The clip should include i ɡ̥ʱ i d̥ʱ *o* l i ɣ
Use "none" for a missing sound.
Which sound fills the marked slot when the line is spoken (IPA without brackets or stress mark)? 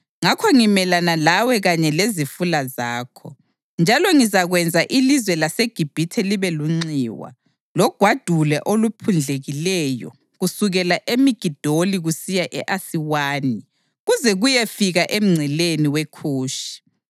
o